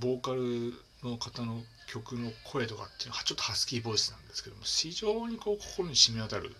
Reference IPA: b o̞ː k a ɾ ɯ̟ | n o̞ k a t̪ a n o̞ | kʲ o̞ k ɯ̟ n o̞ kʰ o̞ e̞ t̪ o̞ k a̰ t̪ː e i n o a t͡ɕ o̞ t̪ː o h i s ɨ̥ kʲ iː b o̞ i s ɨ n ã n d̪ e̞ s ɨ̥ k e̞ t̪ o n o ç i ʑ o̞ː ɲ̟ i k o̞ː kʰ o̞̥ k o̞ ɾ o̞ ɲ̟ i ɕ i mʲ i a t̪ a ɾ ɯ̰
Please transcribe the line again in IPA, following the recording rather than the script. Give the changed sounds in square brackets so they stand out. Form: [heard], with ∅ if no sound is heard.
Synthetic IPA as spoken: b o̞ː k a ɾ ɯ̟ | n o̞ k a t̪ a n o̞ | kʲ o̞ k ɯ̟ n o̞ kʰ o̞ e̞ t̪ o̞ k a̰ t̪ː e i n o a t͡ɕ o̞ t̪ː o h [a] s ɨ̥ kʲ iː b o̞ i s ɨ n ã n d̪ e̞ s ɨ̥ k e̞ [d̪] o [m] o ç i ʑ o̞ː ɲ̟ i k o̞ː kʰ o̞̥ k o̞ ɾ o̞ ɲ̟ i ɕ i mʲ i a t̪ a ɾ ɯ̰